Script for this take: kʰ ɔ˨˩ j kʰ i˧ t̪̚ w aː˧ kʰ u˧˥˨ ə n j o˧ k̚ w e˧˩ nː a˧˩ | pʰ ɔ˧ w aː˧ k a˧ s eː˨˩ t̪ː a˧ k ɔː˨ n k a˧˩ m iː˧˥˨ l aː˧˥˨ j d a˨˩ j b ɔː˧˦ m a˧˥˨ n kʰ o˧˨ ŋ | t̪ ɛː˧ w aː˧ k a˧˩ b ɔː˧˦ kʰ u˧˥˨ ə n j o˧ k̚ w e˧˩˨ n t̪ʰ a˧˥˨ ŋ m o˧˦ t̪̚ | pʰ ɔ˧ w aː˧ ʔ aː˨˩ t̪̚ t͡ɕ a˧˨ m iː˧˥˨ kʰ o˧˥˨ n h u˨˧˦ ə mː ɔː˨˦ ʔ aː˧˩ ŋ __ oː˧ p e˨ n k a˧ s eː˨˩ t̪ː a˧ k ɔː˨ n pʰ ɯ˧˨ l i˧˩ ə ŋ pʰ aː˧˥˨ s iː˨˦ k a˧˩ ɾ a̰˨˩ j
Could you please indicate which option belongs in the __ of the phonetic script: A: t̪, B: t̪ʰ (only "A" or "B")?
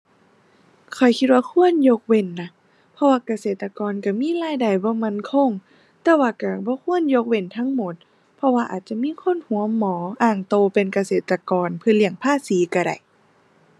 A